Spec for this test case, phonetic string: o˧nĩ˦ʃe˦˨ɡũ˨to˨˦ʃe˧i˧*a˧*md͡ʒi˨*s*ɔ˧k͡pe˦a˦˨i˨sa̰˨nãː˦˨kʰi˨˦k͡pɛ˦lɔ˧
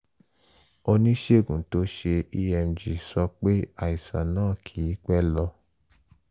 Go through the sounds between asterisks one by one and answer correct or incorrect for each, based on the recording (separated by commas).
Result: incorrect, correct